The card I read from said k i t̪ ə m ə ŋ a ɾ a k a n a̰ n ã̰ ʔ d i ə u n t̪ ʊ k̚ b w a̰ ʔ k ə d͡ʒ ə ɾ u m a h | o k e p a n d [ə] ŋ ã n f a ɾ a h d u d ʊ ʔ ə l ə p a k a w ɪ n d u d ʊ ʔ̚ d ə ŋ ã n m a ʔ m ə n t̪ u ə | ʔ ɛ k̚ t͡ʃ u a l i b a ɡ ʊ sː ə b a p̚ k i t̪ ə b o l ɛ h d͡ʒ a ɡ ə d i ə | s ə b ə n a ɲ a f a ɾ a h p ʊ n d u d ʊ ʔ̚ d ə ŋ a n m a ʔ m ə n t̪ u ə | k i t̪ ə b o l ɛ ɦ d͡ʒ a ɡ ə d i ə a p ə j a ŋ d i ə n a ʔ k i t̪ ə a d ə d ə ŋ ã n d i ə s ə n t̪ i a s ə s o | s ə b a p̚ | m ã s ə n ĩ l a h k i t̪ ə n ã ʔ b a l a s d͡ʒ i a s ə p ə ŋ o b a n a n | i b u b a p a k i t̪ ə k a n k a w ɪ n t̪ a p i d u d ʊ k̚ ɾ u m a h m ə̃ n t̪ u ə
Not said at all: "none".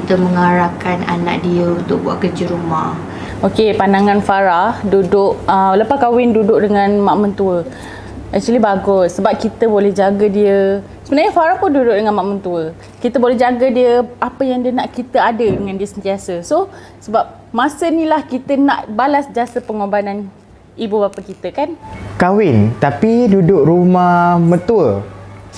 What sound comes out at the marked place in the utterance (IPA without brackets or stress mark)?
a